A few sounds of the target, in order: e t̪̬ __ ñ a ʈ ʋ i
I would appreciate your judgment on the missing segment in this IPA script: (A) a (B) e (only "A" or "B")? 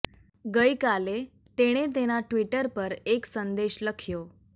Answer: B